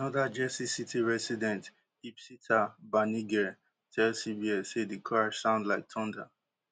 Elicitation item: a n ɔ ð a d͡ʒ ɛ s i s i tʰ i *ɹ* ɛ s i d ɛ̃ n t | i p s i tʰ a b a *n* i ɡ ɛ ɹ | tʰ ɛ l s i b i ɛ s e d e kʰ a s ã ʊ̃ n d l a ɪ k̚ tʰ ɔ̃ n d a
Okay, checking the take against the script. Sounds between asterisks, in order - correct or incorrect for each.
correct, correct

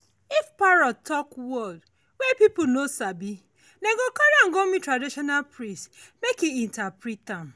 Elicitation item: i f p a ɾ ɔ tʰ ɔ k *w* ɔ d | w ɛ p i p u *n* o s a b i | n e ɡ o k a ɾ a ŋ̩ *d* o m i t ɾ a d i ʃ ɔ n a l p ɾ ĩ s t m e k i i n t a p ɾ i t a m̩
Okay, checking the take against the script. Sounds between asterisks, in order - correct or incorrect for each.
correct, correct, incorrect: ɡ

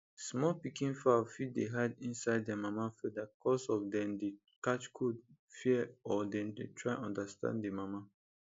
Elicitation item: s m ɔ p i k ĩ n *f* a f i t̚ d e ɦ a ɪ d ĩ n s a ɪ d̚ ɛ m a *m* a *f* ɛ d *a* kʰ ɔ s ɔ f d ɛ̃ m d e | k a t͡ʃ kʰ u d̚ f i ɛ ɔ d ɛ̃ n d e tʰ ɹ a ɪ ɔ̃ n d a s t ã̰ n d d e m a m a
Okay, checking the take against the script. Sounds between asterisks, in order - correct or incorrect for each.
correct, correct, correct, correct

